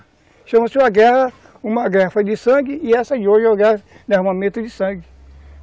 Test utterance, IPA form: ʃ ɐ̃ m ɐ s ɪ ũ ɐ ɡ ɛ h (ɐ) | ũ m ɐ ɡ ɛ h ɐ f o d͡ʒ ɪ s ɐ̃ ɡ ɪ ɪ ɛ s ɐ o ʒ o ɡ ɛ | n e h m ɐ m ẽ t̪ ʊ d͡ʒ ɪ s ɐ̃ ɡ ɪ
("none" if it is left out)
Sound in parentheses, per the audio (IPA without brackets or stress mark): ɐ